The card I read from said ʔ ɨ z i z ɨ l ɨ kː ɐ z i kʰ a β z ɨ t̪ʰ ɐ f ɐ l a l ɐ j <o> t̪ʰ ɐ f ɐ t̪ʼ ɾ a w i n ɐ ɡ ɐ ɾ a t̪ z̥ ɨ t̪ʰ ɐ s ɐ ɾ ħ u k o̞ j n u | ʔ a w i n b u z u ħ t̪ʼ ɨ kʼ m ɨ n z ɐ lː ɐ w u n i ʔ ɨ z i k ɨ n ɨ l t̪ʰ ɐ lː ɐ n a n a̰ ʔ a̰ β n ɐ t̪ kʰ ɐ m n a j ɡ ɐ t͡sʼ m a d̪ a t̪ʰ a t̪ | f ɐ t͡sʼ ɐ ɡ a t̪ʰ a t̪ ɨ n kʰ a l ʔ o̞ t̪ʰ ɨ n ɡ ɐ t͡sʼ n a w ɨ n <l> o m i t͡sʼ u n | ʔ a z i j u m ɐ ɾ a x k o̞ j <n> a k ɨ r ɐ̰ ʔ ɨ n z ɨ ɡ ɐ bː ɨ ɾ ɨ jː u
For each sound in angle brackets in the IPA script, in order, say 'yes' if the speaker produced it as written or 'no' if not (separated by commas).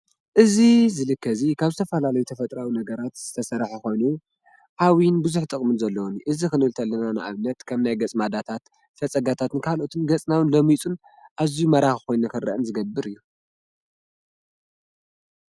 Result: no, yes, yes